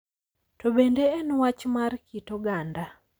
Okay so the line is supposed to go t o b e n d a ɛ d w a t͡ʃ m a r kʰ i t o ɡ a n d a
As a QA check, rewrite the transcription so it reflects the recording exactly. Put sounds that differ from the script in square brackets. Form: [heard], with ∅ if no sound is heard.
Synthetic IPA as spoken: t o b e n d [e] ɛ [n] w a t͡ʃ m a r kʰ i t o ɡ a n d a